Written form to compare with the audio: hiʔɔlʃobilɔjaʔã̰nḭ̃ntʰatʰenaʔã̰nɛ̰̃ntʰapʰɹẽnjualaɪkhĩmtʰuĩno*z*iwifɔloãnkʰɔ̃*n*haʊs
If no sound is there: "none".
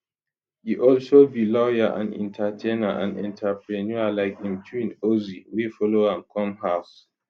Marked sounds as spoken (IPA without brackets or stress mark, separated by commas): z, m